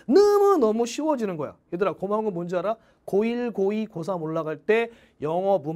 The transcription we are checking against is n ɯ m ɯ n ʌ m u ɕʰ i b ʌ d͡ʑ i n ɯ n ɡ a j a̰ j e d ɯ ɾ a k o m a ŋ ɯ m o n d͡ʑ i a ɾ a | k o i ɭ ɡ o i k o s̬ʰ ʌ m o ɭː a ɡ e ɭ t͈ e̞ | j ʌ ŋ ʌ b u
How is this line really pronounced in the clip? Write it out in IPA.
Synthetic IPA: n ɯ m ɯ n ʌ m u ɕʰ i w ʌ d͡ʑ i n ɯ n ɡ ʌ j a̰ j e d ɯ ɾ a k o m a ŋ ɯ m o n d͡ʑ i a ɾ a | k o i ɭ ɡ o i k o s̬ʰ a m o ɭː a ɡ a ɭ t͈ e̞ | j ʌ ŋ ʌ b u

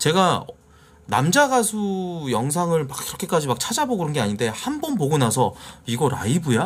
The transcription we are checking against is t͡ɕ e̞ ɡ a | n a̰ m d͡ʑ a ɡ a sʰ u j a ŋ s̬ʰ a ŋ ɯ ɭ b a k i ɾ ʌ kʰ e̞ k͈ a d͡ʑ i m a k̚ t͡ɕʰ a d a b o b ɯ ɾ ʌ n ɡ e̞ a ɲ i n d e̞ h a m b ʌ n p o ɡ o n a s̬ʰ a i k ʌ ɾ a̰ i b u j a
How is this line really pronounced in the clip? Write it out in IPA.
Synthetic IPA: t͡ɕ e̞ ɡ a | n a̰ m d͡ʑ a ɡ a sʰ u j ʌ ŋ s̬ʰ a ŋ ɯ ɭ m a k i ɾ ʌ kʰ e̞ k͈ a d͡ʑ i m a k̚ t͡ɕʰ a d͡ʑ a b o ɡ ɯ ɾ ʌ n ɡ e̞ a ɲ i n d e̞ h a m b ʌ n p o ɡ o n a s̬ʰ ʌ i ɡ ʌ ɾ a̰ i b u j a

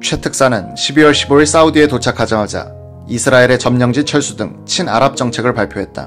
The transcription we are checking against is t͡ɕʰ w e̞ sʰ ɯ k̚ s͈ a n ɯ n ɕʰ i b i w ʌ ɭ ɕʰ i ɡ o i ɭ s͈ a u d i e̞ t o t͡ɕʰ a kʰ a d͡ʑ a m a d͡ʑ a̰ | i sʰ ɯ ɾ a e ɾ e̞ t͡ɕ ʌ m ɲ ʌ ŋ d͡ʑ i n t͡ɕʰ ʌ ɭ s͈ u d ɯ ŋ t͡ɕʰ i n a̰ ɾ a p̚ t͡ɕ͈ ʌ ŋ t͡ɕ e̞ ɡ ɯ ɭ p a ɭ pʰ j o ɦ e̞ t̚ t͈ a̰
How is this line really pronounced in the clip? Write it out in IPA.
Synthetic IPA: t͡ɕʰ w e̞ tʰ ɯ k̚ s͈ a n ɯ n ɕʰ i b i w ʌ ɭ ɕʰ i b o i ɭ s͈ a u d i e̞ t o t͡ɕʰ a kʰ a d͡ʑ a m a d͡ʑ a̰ | i sʰ ɯ ɾ a e ɾ e̞ t͡ɕ ʌ m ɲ ʌ ŋ d͡ʑ i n t͡ɕʰ ʌ ɭ s͈ u d ɯ ŋ t͡ɕʰ i n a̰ ɾ a p̚ t͡ɕ͈ ʌ ŋ t͡ɕʰ e̞ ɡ ɯ ɭ p a ɭ pʰ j o ɦ e̞ t̚ t͈ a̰

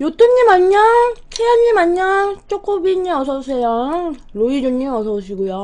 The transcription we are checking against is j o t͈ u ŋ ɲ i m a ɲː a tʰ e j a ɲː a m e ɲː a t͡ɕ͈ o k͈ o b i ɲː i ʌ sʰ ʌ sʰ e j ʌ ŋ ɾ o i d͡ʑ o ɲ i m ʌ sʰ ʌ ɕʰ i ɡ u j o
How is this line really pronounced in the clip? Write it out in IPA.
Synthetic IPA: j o t͈ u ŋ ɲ i m a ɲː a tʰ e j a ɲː i m a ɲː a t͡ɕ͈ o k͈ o b i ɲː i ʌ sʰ ʌ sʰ e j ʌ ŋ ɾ o i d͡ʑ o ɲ i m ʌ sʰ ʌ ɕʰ i ɡ u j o

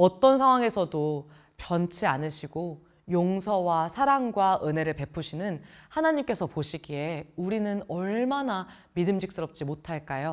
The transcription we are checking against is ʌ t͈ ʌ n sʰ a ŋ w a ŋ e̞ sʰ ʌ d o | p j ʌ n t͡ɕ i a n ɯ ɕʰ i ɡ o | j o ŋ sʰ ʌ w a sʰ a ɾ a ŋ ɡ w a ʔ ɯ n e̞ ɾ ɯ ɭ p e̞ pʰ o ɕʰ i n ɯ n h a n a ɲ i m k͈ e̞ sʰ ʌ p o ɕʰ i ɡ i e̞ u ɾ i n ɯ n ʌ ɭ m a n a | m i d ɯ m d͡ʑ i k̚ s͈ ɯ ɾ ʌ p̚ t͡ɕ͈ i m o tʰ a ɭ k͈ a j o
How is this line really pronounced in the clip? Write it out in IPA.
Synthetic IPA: ʌ t͈ ʌ n sʰ a ŋ w a ŋ e̞ sʰ ʌ d o | p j ʌ n t͡ɕʰ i a n ɯ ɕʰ i ɡ o | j o ŋ sʰ ʌ w a sʰ a ɾ a ŋ ɡ w a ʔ ɯ n e̞ ɾ ɯ ɭ p e̞ pʰ u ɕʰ i n ɯ n h a n a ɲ i m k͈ e̞ sʰ ʌ p o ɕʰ i ɡ i e̞ u ɾ i n ɯ n ʌ ɭ m a n a | m i d ɯ m d͡ʑ i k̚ s͈ ɯ ɾ ʌ p̚ t͡ɕ͈ i m o tʰ a ɭ k͈ a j o

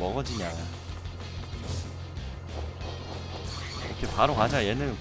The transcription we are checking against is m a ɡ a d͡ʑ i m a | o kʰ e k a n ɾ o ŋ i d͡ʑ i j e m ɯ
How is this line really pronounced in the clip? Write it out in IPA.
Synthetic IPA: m ʌ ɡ ʌ d͡ʑ i ɲ a | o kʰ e p a ɾ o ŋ a d͡ʑ a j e n ɯ

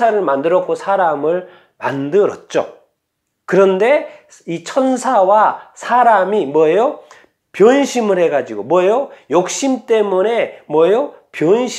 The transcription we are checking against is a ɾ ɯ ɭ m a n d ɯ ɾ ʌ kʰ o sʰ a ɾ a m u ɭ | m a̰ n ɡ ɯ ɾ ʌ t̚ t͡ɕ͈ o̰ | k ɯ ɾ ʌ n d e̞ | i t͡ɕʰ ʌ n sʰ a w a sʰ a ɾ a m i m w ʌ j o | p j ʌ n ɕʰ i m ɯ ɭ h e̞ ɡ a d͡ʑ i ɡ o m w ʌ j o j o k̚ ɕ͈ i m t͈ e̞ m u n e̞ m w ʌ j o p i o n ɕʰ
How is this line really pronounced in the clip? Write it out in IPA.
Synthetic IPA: a ɾ ɯ ɭ m a n d ɯ ɾ ʌ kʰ o sʰ a ɾ a m ɯ ɭ | m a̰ n d ɯ ɾ ʌ t̚ t͡ɕ͈ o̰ | k ɯ ɾ ʌ n d e̞ | i t͡ɕʰ ʌ n sʰ a w a sʰ a ɾ a m i m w ʌ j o | p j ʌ n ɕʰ i m ɯ ɭ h e̞ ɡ a d͡ʑ i ɡ o m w ʌ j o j o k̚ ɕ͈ i m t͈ e̞ m u n e̞ m w ʌ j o p j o n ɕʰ

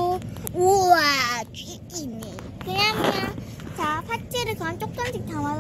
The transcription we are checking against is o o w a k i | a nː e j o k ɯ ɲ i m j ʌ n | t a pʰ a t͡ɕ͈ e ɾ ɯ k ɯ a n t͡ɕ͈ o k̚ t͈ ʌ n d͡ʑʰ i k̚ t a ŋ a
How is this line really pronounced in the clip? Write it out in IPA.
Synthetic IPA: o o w a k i | i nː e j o k ɯ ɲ a m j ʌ n | t͡ɕ a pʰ a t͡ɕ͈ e ɾ ɯ k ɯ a n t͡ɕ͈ o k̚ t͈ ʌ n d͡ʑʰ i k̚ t a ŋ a

